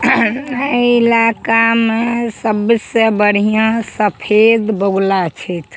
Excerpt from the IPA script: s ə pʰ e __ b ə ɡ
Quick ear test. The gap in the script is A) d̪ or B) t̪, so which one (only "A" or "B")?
A